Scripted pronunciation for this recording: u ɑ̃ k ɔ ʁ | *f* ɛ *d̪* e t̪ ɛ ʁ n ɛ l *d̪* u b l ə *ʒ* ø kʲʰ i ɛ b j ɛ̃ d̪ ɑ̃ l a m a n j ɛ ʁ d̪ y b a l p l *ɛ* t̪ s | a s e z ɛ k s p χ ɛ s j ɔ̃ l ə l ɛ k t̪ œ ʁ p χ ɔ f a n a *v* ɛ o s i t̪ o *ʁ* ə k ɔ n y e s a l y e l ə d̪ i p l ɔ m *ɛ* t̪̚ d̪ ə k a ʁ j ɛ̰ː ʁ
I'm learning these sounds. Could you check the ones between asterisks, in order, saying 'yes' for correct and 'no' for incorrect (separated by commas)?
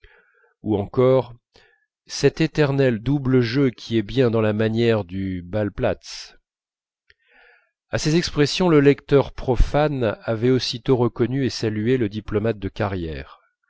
no, no, yes, yes, no, yes, yes, no